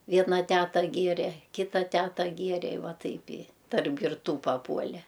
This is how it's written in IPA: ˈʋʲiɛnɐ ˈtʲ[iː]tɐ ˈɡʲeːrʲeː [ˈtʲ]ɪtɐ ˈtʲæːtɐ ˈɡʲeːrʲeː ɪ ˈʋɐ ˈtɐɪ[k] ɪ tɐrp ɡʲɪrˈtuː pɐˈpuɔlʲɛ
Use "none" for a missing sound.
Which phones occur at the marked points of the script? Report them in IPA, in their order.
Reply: æː, kʲ, p

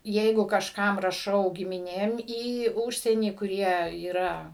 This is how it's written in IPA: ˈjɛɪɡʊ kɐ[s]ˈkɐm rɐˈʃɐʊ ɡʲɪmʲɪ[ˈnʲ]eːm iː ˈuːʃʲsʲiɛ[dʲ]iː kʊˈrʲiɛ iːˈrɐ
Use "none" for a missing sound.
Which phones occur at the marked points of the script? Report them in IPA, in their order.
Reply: ʃ, nʲ, nʲ

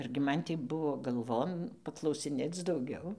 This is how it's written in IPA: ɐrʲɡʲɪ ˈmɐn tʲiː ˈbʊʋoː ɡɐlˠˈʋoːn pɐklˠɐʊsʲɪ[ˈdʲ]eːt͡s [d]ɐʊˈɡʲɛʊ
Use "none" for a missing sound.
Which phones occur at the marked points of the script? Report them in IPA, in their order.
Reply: nʲ, d

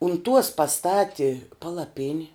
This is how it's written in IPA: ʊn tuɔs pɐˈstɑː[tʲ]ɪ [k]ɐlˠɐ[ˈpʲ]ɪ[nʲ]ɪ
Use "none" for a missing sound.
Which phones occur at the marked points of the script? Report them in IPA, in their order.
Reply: tʲ, p, pʲ, nʲ

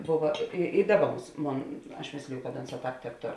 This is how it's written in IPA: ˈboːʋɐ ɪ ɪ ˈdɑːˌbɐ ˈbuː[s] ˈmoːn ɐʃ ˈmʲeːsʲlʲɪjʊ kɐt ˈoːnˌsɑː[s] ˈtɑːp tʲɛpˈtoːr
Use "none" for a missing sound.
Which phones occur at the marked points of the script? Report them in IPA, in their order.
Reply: s, none

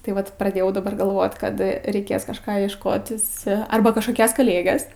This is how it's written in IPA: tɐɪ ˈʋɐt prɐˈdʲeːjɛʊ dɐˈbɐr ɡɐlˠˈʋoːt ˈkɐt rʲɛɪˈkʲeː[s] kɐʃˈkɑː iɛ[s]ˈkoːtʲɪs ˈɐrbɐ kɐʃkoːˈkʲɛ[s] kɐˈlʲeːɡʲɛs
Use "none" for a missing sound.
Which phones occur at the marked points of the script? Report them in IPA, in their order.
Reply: s, ʃ, s

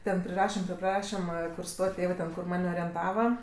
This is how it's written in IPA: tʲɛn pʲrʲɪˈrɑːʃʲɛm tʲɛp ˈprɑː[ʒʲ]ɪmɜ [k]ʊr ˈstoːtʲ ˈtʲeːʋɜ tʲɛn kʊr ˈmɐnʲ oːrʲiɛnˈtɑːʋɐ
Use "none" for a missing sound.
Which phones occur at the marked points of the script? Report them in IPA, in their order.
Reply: ʃʲ, k

